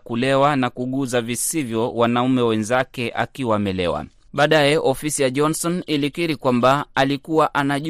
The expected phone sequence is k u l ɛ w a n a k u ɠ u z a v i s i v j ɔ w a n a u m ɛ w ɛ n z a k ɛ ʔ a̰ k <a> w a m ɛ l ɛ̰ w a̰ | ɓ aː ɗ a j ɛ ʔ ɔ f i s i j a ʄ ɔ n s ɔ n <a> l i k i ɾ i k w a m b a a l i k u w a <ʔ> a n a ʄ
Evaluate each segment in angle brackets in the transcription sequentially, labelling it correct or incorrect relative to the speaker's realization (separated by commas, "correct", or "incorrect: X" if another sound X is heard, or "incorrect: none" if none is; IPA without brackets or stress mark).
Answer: incorrect: i, incorrect: i, correct